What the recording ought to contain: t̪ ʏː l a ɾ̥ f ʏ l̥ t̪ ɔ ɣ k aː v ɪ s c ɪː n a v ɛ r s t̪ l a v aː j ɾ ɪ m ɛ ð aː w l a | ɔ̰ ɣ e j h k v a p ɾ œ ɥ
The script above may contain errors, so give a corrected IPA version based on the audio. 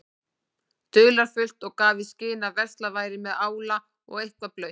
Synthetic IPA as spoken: t̪ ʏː l a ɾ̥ f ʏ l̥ t̪ ɔ ɣ k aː v ɪ s c ɪː n a v ɛ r s t̪ l a v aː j ɾ ɪ m ɛ ð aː w l a | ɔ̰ ɣ e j h k v a p l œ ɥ